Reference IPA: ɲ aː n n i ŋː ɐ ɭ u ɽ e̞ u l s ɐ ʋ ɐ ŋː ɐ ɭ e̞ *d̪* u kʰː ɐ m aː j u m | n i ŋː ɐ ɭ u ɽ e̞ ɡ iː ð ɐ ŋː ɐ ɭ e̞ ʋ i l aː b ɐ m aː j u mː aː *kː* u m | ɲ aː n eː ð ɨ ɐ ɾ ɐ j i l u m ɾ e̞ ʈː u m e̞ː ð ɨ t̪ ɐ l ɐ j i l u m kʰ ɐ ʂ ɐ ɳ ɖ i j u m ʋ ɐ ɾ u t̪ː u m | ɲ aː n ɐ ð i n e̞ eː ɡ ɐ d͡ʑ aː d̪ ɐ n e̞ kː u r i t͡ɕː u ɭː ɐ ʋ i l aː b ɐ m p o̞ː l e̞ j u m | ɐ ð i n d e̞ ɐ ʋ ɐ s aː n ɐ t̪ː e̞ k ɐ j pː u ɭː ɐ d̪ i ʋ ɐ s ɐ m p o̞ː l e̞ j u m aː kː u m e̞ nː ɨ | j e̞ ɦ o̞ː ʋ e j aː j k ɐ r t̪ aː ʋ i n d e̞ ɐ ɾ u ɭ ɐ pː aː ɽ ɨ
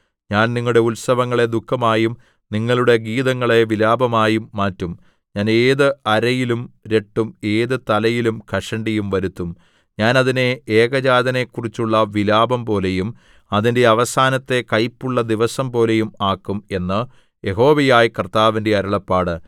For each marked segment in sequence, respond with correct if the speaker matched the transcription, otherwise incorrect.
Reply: correct, incorrect

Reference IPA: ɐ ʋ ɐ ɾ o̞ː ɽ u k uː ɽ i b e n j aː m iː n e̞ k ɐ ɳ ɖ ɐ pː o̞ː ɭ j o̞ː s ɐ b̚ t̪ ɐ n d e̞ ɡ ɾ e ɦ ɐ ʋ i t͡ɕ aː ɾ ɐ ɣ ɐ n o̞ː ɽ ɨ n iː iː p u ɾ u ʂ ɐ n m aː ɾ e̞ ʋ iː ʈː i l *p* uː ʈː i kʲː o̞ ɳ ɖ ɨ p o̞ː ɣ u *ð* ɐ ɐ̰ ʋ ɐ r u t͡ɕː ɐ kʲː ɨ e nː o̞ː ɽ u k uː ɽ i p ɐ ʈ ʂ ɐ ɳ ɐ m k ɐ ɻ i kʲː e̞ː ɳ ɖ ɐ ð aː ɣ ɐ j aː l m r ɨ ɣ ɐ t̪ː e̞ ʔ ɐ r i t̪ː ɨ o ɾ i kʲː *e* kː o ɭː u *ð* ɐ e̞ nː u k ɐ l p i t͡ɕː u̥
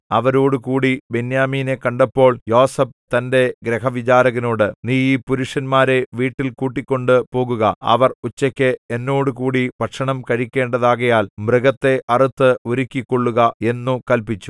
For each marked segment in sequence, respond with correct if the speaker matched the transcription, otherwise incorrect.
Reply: incorrect, incorrect, incorrect, incorrect

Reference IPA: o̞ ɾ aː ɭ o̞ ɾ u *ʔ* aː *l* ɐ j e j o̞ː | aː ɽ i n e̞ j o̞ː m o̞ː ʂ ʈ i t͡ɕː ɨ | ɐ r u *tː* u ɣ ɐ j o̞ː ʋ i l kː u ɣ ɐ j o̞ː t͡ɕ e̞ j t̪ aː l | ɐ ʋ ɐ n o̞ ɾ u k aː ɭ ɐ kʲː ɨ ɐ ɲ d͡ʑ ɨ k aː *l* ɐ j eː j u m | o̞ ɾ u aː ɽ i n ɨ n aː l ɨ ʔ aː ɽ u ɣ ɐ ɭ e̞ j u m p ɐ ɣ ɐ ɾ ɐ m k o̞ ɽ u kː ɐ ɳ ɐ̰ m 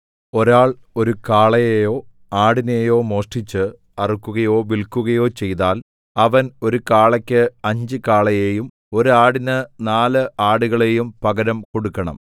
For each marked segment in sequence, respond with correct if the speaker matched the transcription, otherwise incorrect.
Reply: incorrect, incorrect, incorrect, incorrect

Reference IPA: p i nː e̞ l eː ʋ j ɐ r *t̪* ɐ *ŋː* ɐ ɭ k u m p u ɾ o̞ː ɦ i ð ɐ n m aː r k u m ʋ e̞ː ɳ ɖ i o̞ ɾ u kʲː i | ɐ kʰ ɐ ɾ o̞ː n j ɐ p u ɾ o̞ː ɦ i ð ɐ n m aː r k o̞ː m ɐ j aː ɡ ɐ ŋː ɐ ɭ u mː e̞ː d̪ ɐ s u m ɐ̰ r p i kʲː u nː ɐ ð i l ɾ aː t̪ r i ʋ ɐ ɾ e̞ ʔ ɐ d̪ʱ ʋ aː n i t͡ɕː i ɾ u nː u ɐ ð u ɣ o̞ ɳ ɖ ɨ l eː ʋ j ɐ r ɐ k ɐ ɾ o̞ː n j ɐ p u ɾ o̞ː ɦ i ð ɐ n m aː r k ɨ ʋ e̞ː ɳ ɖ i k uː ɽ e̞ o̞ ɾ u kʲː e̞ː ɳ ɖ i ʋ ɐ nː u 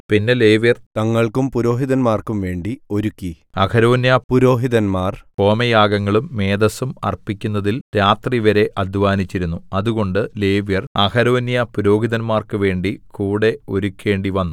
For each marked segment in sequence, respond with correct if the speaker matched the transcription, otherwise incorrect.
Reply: correct, correct

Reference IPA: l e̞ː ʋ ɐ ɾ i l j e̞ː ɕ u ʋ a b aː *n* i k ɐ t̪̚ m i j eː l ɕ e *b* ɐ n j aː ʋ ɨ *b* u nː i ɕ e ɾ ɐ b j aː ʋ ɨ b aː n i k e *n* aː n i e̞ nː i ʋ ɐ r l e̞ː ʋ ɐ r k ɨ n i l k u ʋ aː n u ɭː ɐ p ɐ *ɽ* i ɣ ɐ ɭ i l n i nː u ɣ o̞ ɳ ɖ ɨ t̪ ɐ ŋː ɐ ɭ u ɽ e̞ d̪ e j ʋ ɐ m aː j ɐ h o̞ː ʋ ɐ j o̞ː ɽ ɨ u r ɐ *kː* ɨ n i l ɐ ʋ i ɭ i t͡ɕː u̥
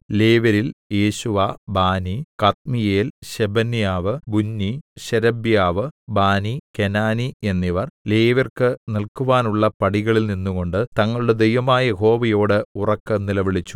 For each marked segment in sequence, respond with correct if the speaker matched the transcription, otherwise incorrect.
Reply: correct, correct, correct, correct, correct, correct

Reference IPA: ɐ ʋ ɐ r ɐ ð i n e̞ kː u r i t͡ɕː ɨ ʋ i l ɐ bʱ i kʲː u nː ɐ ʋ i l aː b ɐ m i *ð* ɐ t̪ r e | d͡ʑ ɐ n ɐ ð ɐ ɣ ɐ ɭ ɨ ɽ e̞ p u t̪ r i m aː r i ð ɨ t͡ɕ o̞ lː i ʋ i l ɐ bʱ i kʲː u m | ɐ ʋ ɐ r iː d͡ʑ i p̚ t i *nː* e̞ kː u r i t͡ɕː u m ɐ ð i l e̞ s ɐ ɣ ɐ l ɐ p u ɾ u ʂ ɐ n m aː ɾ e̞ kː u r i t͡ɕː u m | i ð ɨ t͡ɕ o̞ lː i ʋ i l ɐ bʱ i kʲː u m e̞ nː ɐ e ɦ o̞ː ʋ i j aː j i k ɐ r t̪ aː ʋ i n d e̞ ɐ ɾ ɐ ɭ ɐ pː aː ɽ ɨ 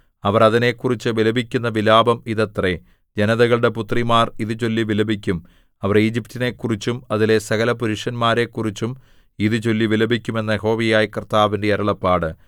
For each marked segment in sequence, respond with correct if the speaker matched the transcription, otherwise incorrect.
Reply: correct, incorrect

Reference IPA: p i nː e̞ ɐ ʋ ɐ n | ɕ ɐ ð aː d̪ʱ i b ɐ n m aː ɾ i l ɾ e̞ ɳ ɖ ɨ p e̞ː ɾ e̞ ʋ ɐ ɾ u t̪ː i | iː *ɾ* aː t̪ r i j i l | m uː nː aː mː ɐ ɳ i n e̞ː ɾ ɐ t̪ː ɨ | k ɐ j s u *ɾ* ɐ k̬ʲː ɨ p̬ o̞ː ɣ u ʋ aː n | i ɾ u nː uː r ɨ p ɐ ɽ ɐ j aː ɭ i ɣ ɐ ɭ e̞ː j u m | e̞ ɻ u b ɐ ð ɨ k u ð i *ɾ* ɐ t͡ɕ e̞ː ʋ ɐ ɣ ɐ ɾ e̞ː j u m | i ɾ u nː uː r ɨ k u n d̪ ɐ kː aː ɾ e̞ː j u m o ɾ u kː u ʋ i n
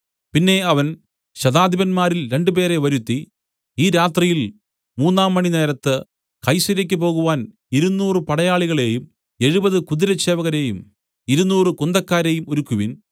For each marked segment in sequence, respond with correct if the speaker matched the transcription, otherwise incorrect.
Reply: correct, correct, correct

